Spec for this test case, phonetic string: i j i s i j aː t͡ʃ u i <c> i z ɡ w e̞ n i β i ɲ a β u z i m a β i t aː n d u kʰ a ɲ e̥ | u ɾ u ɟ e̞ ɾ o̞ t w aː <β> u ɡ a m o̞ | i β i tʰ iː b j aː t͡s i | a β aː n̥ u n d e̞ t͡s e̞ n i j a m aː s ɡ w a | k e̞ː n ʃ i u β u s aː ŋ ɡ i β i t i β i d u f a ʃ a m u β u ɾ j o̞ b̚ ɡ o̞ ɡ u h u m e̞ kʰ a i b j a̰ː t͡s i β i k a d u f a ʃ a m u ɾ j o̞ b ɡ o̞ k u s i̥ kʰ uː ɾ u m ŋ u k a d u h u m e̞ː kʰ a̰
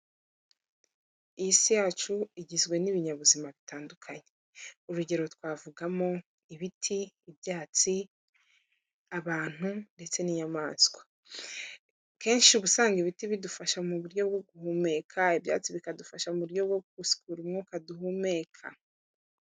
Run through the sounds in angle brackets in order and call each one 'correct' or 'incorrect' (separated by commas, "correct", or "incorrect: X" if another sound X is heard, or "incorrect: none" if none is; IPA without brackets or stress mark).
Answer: incorrect: ɟ, incorrect: v